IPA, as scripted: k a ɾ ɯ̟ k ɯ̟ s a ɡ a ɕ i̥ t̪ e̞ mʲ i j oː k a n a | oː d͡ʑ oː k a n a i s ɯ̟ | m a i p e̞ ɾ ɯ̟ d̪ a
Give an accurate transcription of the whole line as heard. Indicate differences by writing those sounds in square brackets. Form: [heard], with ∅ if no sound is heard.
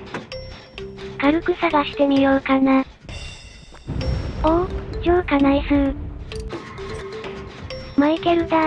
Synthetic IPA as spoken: k a ɾ ɯ̟ k ɯ̟ s a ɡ a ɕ i̥ t̪ e̞ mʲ i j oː k a n a | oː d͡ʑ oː k a n a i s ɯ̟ | m a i [k] e̞ ɾ ɯ̟ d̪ a